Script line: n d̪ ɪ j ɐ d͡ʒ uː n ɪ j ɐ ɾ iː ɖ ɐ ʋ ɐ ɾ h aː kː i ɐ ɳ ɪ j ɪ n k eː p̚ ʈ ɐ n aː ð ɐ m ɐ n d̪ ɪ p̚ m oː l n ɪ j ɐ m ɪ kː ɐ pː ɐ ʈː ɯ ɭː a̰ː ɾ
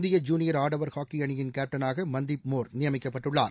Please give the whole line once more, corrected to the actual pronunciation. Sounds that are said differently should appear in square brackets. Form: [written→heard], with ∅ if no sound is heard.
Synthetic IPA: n d̪ ɪ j ɐ d͡ʒ uː n ɪ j ɐ ɾ [iː→aː] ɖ ɐ ʋ ɐ ɾ h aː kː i ɐ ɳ ɪ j ɪ n k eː p̚ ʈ ɐ n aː [ð→ɣ] ɐ m ɐ n d̪ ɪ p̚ m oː [l→ɾ] n ɪ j ɐ m ɪ kː ɐ pː ɐ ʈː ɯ ɭː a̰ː ɾ